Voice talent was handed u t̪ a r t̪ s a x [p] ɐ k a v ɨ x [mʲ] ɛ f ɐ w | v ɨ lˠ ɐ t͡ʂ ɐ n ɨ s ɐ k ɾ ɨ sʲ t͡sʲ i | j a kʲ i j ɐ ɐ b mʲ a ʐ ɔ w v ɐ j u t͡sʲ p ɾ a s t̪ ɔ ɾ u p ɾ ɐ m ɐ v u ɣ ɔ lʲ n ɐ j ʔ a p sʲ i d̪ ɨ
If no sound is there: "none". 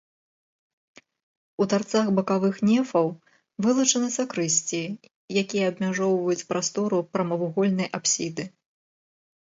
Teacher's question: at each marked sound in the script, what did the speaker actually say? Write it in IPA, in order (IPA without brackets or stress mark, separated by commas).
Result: b, nʲ